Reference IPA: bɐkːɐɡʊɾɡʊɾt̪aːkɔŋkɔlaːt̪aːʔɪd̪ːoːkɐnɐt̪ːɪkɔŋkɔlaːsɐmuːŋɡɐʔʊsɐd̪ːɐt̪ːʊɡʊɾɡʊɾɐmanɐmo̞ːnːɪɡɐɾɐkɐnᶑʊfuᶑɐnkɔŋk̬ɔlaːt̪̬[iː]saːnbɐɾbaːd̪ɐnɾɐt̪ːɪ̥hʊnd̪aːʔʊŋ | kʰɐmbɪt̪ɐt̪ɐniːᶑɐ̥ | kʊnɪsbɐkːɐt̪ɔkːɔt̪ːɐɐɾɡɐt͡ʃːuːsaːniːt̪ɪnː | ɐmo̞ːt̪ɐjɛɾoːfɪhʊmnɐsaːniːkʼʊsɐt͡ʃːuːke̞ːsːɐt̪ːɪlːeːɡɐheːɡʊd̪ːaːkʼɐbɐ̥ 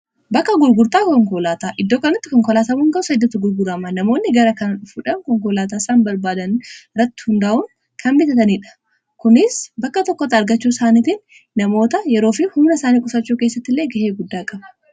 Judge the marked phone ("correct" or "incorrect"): incorrect